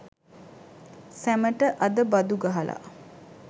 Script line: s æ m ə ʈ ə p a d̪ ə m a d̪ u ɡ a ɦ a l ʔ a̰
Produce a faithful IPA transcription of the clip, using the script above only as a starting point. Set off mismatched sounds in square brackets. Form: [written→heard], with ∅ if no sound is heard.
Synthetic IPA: s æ m ə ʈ ə [p→ʔ] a d̪ ə [m→b] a d̪ u ɡ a ɦ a l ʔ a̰